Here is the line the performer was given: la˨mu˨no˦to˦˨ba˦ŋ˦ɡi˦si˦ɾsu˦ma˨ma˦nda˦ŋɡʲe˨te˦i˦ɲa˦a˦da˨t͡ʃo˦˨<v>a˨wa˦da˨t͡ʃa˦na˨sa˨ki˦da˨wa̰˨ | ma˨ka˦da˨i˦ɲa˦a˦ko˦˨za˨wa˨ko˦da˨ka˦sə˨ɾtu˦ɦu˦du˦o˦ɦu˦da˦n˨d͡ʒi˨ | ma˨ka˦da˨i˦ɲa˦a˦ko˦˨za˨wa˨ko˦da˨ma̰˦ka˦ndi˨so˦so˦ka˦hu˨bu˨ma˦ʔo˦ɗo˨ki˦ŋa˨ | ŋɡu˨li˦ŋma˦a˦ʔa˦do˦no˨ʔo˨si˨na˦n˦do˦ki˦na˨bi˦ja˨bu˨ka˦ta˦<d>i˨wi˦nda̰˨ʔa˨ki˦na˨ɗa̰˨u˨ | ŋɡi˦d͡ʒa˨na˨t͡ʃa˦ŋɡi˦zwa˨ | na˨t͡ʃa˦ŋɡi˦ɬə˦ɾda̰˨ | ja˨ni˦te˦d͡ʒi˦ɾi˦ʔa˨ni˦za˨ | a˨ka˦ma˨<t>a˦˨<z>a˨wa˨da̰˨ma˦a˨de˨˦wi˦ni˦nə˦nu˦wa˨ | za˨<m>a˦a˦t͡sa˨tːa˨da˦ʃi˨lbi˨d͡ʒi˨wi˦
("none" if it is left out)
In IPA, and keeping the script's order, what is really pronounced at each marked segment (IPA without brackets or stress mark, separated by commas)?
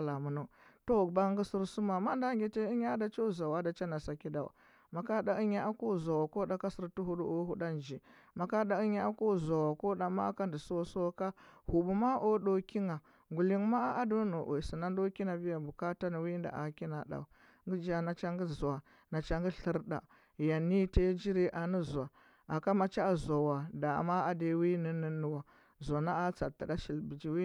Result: z, n, t͡ʃ, z, n